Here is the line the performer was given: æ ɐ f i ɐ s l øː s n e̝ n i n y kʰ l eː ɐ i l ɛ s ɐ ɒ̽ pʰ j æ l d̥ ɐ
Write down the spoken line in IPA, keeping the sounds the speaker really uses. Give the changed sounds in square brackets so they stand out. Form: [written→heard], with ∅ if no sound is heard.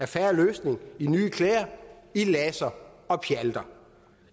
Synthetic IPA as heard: æ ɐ f [i→æ] ɐ [s→∅] l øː s n e̝ [n→ŋ] i n [y→yː] kʰ l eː ɐ i l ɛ s ɐ ɒ̽ pʰ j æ l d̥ ɐ